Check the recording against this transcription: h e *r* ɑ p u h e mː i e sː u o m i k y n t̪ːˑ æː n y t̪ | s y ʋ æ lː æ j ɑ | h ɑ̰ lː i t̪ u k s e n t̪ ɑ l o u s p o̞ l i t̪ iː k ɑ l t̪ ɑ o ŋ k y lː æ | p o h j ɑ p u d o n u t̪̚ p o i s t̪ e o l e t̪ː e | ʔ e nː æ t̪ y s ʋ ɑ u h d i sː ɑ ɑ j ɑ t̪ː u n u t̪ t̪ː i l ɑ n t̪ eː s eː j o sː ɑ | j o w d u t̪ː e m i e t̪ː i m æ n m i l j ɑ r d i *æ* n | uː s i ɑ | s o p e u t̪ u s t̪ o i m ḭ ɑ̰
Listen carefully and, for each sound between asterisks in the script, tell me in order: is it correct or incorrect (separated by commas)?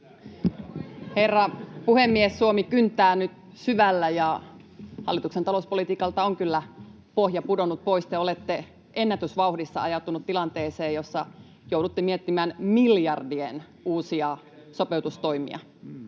incorrect, incorrect